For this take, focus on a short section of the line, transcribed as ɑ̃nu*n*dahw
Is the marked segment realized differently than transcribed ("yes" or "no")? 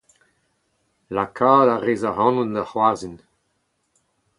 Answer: no